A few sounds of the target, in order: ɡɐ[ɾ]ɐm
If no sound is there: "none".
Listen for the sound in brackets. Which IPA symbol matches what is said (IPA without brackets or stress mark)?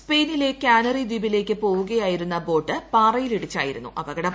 ɽ